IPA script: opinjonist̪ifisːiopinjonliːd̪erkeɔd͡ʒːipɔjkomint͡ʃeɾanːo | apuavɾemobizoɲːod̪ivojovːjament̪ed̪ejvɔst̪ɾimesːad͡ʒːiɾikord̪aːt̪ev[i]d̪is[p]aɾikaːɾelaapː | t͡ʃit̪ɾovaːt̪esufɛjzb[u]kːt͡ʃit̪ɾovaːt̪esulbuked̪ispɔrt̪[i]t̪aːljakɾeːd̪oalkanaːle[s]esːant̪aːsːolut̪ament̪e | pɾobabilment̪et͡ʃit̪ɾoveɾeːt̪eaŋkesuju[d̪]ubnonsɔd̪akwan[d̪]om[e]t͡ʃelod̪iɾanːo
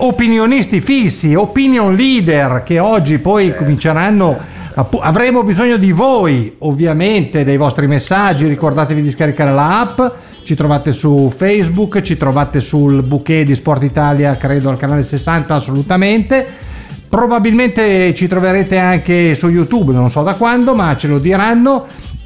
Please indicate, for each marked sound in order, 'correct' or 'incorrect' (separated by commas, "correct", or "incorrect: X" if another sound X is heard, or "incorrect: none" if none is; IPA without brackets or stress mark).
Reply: correct, incorrect: k, correct, correct, correct, incorrect: t̪, correct, incorrect: a